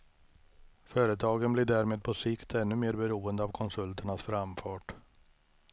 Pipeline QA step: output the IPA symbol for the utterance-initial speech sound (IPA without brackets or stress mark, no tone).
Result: f